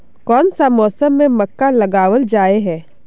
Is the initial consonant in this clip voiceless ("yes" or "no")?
yes